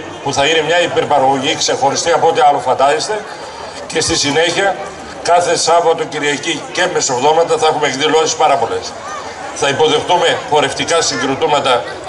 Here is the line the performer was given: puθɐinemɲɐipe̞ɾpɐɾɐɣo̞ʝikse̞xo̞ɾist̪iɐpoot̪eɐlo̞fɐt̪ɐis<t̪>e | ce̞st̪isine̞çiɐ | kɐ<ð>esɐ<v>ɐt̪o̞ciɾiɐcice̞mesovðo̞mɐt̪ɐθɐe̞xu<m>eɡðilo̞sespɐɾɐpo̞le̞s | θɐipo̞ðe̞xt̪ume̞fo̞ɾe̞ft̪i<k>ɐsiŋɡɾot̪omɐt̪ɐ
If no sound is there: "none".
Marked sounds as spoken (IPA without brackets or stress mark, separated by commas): t̪, θ, v, m, k